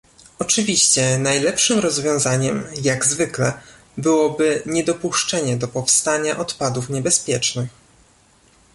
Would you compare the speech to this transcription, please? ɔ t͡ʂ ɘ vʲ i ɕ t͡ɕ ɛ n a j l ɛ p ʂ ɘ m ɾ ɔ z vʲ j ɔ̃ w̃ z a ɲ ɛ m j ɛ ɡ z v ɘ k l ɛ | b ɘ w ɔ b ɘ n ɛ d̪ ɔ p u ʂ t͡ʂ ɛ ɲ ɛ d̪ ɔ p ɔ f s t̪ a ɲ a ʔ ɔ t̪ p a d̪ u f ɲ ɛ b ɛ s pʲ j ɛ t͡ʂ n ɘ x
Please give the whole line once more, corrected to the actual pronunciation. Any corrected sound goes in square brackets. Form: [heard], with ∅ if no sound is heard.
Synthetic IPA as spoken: ɔ t͡ʂ ɘ vʲ i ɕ t͡ɕ ɛ n a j l ɛ p ʂ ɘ m ɾ ɔ z vʲ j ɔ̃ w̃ z a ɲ ɛ m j [a] ɡ z v ɘ k l ɛ | b ɘ w ɔ b ɘ [ɲ] ɛ d̪ ɔ p u ʂ t͡ʂ ɛ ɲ ɛ d̪ ɔ p ɔ f s t̪ a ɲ a ʔ ɔ t̪ p a d̪ u f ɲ ɛ b ɛ s pʲ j ɛ t͡ʂ n ɘ x